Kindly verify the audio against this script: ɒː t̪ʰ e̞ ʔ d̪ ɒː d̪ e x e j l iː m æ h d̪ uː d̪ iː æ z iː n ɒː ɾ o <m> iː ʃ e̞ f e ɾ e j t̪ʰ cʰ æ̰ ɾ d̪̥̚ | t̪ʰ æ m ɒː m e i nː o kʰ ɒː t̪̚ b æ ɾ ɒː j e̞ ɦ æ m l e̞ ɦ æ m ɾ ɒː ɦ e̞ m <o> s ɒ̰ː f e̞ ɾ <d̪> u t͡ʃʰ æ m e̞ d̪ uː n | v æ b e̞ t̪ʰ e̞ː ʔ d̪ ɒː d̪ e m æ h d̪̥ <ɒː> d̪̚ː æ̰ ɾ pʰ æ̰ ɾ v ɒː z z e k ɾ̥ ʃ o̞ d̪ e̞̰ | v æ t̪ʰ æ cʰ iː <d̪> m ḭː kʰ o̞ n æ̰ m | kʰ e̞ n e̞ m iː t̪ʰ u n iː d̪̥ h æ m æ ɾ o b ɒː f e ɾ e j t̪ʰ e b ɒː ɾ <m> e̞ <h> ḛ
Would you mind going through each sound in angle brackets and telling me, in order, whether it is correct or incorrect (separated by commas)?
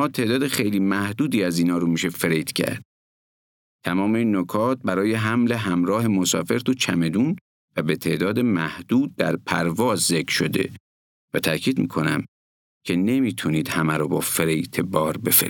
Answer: correct, correct, incorrect, incorrect, correct, incorrect, incorrect